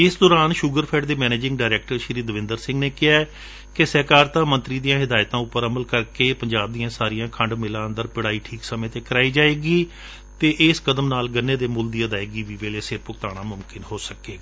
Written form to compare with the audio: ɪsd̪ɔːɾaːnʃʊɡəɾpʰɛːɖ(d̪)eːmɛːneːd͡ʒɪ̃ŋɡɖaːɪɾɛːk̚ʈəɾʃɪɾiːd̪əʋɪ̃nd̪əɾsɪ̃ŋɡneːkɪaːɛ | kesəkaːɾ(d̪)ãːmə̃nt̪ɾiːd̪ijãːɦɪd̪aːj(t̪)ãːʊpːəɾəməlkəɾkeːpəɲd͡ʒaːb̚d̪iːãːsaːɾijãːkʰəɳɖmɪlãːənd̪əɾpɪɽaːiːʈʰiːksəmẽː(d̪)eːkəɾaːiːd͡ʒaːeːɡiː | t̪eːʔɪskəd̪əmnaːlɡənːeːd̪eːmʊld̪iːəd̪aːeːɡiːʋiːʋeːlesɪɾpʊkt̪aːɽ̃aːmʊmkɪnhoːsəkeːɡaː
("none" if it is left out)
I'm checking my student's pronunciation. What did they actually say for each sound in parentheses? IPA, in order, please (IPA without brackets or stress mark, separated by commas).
d̪, t̪, t̪, t̪